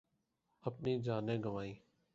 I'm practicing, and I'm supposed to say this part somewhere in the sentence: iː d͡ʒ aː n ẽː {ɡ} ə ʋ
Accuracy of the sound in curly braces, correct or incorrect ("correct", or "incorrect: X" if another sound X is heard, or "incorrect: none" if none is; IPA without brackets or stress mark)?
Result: correct